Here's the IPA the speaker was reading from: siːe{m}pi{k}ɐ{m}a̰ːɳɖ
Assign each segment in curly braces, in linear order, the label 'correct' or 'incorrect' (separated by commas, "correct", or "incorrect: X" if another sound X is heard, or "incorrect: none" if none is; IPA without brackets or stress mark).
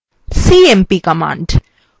correct, correct, correct